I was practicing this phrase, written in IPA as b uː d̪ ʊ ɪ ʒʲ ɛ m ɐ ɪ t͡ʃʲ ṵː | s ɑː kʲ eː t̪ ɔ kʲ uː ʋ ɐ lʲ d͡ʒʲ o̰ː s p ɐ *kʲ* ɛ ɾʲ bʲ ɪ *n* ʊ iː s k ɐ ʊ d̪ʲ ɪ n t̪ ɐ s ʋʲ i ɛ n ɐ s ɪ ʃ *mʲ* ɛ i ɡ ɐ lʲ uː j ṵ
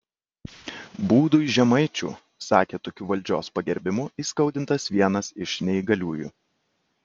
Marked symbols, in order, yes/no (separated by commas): no, no, no